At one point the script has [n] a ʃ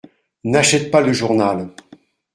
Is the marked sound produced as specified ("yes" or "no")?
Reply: yes